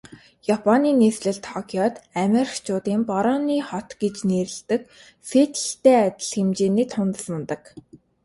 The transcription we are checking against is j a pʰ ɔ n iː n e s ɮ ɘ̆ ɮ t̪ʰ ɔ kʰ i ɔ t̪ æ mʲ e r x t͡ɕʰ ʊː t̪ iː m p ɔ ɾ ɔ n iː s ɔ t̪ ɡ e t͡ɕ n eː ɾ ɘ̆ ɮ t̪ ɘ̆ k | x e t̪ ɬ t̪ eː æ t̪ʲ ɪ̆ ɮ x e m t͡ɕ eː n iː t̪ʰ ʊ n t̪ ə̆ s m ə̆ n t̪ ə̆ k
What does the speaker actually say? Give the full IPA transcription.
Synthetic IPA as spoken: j a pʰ ɔ n iː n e s ɮ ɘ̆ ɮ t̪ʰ ɔ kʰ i ɔ t̪ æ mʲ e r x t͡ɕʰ ʊː t̪ iː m p ɔ ɾ ɔ n iː χ ɔ t̪ ɡ e t͡ɕ n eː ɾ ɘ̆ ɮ t̪ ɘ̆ k | f e t̪ ɬ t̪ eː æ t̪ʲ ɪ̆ ɮ x e m t͡ɕ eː n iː t̪ʰ ʊ n t̪ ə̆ s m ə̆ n t̪ ə̆ k